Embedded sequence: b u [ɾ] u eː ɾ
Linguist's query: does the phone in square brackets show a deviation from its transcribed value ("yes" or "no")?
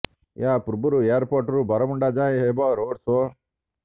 no